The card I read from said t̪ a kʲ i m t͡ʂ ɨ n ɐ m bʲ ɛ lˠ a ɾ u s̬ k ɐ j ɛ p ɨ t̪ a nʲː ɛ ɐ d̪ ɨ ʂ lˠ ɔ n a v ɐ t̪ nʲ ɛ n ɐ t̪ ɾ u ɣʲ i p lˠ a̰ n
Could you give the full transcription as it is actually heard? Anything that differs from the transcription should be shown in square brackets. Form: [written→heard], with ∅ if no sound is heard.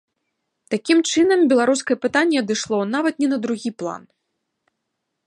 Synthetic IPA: t̪ a kʲ i m t͡ʂ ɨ n ɐ m bʲ ɛ lˠ a ɾ u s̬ k ɐ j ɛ p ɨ t̪ a nʲː ɛ ɐ d̪ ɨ ʂ lˠ ɔ n a v ɐ t̪ nʲ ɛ n ɐ [t̪→d̪] ɾ u ɣʲ i p lˠ a̰ n